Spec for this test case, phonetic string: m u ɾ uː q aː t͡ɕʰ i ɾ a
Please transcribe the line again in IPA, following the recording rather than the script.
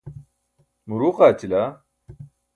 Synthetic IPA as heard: m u ɾ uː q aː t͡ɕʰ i l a